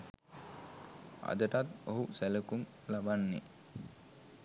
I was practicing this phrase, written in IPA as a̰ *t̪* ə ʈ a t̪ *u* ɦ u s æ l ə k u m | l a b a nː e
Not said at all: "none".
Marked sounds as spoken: d̪, o

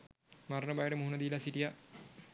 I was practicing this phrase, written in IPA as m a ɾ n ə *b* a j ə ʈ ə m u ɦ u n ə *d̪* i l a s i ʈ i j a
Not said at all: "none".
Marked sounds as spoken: b, d̪

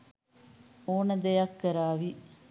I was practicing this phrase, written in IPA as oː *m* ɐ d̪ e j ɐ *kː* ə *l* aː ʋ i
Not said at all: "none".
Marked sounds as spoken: n, kː, ɾ

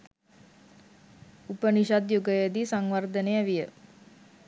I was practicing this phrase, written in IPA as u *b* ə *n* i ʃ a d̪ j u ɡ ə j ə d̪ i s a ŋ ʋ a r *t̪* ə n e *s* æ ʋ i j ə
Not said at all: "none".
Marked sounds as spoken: p, n, d̪, none

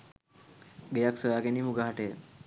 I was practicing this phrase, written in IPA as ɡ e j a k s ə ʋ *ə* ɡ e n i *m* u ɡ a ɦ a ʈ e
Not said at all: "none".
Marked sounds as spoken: a, m

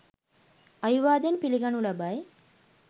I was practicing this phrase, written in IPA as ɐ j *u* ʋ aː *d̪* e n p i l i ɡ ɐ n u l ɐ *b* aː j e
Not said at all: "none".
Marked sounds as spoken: u, d̪, b

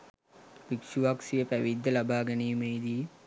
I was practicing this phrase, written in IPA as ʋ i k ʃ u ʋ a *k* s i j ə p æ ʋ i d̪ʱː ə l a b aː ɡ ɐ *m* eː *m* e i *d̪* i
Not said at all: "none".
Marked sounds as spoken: k, n, m, d̪

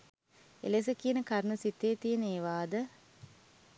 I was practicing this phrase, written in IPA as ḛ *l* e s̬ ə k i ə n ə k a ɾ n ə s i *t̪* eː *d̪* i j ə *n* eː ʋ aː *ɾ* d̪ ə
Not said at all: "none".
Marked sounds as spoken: l, t̪, t̪, n, none

